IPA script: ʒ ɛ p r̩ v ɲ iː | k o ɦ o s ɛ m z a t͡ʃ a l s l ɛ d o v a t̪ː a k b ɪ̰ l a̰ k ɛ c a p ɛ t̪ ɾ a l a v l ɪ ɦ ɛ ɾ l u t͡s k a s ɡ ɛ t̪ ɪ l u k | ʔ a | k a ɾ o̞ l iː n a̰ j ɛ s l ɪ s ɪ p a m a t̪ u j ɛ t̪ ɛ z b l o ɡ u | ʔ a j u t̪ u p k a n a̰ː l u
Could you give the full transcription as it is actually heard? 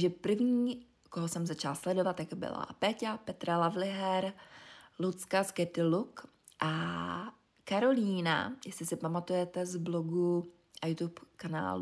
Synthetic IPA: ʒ ɛ p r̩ v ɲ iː | k o ɦ o s ɛ m z a t͡ʃ a l s l ɛ d o v a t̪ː a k b ɪ̰ l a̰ p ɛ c a p ɛ t̪ ɾ a l a v l ɪ ɦ ɛ ɾ l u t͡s k a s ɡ ɛ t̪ ɪ l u k | ʔ a | k a ɾ o̞ l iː n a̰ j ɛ s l ɪ s ɪ p a m a t̪ u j ɛ t̪ ɛ z b l o ɡ u | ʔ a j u t̪ u p k a n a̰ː l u